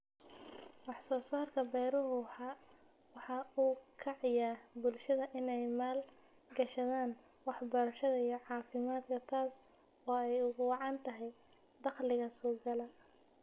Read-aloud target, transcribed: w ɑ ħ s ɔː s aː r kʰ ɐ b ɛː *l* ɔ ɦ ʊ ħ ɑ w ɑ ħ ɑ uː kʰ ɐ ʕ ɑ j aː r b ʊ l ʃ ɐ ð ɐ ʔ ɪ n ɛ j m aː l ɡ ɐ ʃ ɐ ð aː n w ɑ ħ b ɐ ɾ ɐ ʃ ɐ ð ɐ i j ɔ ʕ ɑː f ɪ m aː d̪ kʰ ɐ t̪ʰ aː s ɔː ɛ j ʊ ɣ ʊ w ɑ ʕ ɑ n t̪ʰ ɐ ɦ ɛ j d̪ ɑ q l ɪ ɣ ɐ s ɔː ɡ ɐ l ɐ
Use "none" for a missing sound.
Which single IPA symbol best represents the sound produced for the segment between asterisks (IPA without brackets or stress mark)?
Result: ɾ